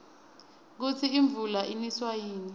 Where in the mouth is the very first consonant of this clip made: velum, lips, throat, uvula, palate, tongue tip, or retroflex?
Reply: velum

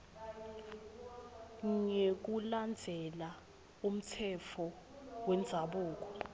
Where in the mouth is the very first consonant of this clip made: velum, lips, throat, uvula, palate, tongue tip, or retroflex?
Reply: velum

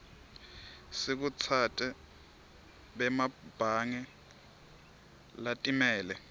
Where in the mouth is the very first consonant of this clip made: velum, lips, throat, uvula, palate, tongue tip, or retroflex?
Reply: tongue tip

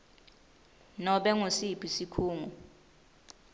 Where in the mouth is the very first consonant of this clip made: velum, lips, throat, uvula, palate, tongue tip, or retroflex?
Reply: tongue tip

